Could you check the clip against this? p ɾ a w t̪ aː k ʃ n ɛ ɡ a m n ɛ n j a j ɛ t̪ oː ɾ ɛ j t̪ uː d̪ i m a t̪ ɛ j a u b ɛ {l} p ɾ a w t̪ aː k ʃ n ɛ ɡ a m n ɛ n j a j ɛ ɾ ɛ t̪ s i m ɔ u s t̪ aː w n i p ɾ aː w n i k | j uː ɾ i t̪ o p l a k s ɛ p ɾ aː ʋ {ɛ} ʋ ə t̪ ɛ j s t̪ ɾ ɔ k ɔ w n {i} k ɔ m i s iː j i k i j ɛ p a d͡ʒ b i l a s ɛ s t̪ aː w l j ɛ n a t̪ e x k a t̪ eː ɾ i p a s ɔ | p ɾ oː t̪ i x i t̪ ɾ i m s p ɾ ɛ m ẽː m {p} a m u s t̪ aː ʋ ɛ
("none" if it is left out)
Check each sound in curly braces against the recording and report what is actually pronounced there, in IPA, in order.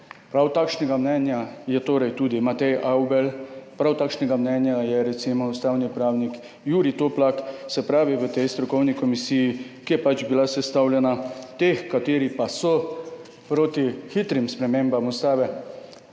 l, i, i, b

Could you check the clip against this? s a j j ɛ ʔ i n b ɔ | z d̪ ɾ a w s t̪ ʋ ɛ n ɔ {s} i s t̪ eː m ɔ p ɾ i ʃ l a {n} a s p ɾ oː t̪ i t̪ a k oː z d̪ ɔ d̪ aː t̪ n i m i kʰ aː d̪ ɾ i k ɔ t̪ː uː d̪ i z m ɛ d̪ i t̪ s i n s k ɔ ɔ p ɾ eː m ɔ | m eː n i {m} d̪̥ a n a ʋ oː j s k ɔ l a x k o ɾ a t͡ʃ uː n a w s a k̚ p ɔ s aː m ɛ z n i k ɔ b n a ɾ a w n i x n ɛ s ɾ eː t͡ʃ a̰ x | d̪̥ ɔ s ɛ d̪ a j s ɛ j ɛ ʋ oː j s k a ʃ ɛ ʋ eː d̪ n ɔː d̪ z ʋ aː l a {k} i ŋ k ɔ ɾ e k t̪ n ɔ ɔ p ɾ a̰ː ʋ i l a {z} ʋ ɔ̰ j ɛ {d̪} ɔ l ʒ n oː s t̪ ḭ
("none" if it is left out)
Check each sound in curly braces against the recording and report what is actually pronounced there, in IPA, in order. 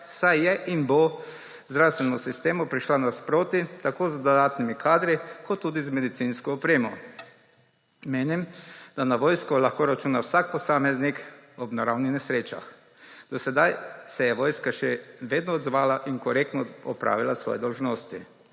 s, n, m, ʔ, s, d̪

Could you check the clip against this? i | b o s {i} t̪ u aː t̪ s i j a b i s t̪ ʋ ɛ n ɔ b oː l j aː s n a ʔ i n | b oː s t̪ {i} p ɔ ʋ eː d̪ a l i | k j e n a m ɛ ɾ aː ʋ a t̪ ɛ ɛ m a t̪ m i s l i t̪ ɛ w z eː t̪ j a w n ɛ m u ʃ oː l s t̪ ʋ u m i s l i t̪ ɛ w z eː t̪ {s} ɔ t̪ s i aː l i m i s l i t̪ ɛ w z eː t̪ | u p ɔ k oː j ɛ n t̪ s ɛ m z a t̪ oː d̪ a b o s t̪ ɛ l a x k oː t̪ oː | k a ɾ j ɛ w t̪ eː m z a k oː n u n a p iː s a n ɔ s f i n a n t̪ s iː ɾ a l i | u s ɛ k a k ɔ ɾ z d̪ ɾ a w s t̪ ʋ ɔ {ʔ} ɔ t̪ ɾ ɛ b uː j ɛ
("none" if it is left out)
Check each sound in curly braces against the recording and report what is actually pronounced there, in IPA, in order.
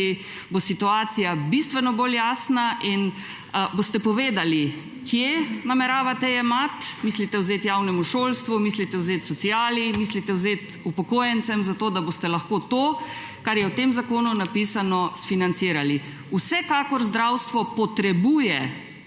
i, ɛ, s, p

